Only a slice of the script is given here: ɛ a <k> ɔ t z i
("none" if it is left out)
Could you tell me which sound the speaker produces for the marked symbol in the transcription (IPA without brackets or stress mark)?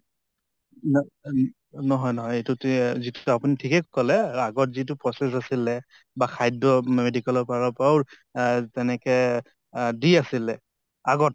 ɡ